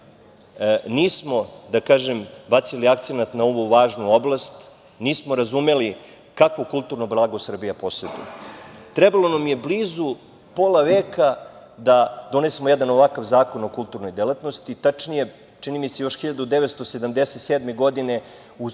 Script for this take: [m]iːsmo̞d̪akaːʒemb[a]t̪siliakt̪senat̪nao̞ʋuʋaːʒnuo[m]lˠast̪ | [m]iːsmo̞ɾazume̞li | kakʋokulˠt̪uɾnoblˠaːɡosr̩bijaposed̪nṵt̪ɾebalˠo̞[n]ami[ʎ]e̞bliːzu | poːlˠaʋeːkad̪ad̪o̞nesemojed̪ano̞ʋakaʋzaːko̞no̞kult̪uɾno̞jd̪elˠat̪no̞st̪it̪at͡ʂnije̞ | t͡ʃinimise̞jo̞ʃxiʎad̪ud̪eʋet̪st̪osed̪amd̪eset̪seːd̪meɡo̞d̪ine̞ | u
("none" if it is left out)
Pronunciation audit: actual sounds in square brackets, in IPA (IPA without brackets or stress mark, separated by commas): n, a, b, n, n, j